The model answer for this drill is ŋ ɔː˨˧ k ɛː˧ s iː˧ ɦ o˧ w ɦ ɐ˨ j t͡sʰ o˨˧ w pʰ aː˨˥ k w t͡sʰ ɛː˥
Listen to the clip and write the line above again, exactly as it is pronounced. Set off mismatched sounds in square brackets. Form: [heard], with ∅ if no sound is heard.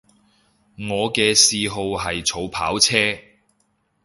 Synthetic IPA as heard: ŋ ɔː˨˧ k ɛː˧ s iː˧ ɦ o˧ w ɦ ɐ˨ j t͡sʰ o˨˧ w pʰ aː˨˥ [∅] w t͡sʰ ɛː˥

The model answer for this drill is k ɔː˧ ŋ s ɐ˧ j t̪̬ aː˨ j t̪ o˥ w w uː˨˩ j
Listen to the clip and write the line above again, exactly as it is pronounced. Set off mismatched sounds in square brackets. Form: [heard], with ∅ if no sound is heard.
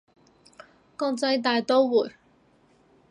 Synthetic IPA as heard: k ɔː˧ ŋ [t͡s] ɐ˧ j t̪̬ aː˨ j t̪ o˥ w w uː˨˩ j

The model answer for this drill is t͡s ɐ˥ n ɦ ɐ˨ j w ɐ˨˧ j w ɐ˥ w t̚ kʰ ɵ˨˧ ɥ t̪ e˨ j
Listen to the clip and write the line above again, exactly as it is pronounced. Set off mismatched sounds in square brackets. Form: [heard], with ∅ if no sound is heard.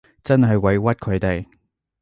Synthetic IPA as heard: t͡s ɐ˥ n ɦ ɐ˨ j w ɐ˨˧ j w ɐ˥ [∅] t̚ kʰ ɵ˨˧ ɥ t̪ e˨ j

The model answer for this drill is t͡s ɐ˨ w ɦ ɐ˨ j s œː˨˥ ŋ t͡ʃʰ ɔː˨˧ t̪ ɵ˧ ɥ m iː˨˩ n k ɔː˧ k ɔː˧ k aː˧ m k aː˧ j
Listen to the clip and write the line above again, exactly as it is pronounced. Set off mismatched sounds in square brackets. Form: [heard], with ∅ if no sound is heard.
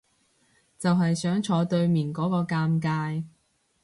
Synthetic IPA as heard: t͡s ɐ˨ w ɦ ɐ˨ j s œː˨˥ ŋ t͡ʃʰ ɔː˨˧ t̪ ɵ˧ ɥ m iː˨˩ n k [ɔː˨˥] k ɔː˧ k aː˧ m k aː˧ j

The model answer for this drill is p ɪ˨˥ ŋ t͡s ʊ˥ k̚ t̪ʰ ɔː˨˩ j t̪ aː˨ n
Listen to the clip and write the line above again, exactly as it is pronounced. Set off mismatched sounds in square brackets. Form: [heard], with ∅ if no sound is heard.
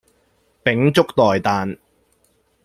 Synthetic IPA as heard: p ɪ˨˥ ŋ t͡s ʊ˥ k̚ [t̪] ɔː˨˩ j t̪ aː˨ n

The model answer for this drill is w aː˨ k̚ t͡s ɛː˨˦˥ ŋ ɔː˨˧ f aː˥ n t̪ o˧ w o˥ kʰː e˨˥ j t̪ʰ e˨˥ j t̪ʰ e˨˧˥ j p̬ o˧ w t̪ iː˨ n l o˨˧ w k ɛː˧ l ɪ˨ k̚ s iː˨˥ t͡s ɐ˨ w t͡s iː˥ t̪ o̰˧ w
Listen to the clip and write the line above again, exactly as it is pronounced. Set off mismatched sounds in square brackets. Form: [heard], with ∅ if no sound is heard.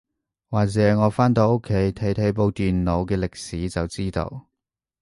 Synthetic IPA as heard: w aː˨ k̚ t͡s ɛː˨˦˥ ŋ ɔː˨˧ f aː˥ n t̪ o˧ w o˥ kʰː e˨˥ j t̪ʰ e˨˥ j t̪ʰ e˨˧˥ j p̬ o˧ w t̪ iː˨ n l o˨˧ w k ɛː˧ l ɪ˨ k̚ s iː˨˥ t͡s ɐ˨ w t͡s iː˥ t̪ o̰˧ w

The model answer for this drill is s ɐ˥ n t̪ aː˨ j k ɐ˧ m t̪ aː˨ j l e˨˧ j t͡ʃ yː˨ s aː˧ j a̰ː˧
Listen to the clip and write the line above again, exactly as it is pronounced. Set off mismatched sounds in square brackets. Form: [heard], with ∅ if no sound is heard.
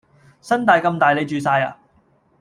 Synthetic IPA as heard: s ɐ˥ n t̪ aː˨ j k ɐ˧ m t̪ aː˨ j l e˨˧ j t͡ʃ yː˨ s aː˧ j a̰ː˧

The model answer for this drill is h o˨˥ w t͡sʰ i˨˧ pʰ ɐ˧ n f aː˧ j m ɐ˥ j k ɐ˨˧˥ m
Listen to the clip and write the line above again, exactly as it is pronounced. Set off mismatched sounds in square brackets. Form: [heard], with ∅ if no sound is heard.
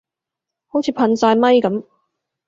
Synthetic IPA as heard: h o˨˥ w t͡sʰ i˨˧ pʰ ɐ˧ n [s] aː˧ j m ɐ˥ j k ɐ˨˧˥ m

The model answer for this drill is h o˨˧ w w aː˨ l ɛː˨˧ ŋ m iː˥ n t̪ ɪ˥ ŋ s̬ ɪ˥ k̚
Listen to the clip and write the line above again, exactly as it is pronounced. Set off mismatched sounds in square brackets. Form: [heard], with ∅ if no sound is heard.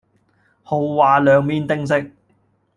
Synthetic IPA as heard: h o˨˧ w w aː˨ l [œː˨˧] ŋ m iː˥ n t̪ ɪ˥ ŋ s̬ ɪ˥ k̚

